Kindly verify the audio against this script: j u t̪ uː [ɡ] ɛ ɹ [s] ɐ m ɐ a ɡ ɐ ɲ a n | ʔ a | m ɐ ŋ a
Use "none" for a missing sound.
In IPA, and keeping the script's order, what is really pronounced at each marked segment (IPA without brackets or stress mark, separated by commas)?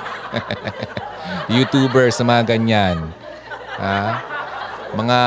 b, s